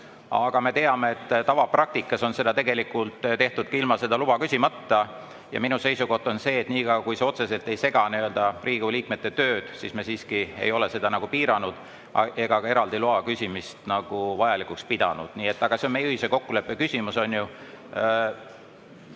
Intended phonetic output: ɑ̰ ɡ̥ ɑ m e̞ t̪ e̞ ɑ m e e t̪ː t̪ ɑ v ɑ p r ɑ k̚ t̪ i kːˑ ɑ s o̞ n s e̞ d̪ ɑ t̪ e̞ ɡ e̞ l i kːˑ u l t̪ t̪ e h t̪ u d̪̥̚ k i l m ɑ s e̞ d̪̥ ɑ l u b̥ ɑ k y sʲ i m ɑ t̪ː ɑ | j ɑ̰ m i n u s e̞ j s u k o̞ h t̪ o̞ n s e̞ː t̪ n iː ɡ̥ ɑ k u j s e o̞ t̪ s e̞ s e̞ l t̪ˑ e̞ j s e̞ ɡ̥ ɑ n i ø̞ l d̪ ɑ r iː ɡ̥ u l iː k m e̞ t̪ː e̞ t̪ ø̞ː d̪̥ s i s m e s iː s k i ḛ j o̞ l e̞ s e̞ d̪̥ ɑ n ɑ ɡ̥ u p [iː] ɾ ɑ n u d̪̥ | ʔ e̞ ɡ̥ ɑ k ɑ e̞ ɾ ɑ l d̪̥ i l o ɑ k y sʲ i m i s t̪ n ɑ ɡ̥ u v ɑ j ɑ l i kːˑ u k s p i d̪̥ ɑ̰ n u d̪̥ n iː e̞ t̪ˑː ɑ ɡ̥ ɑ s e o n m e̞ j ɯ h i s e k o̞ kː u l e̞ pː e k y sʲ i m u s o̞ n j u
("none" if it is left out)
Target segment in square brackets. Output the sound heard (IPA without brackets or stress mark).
iː